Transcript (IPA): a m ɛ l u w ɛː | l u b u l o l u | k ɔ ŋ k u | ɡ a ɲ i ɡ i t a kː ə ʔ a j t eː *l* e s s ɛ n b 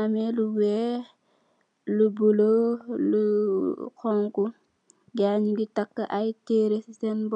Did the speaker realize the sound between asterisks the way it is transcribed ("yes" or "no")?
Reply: no